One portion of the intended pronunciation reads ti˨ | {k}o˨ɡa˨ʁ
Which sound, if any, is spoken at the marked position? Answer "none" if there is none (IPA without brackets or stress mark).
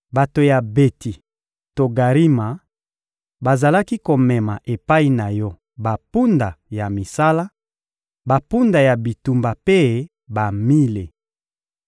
t